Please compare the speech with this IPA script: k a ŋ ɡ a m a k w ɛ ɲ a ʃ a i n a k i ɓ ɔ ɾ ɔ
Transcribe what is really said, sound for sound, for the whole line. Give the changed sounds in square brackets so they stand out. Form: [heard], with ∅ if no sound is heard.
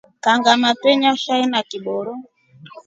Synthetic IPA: k a ŋ ɡ a m a [t] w ɛ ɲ a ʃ a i n a k i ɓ ɔ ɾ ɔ